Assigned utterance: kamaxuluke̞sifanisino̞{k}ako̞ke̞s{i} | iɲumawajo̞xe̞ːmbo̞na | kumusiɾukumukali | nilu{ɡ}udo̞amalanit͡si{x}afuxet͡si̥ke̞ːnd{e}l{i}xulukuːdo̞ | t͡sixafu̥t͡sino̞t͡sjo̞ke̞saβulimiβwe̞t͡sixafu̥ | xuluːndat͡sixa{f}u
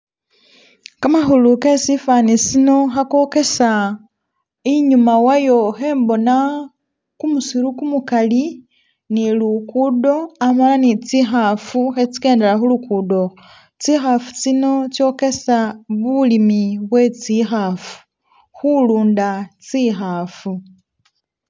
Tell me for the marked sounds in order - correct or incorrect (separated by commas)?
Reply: incorrect, incorrect, incorrect, correct, correct, incorrect, correct